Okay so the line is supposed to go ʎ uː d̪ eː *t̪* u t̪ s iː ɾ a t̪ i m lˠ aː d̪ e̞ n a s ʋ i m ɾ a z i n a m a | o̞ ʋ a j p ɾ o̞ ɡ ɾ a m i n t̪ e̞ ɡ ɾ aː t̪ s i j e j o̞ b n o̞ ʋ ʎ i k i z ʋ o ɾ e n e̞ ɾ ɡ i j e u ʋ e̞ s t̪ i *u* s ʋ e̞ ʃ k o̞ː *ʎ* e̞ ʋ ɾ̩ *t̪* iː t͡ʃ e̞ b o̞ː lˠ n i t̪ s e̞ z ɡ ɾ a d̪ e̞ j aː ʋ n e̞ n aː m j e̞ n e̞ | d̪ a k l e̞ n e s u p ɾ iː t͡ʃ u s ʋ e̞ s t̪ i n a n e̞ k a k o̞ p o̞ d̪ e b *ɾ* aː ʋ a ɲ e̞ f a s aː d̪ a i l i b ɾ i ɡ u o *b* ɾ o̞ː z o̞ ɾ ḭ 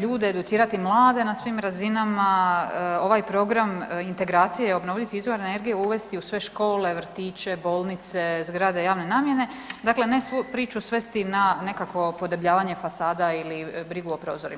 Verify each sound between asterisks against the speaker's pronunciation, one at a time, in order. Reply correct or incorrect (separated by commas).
incorrect, correct, incorrect, correct, incorrect, incorrect